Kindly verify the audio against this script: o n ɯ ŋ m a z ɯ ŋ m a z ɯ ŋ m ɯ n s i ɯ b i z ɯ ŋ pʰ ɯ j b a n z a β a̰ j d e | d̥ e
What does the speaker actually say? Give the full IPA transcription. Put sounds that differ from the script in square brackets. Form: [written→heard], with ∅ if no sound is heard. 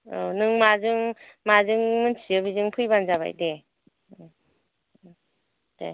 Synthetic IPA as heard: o n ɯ ŋ m a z ɯ ŋ m a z ɯ ŋ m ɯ n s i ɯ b i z ɯ ŋ pʰ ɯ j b a n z a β a̰ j d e | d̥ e